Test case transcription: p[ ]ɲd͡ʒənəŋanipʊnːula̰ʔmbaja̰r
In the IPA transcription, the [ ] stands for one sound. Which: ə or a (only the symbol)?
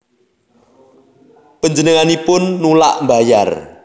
ə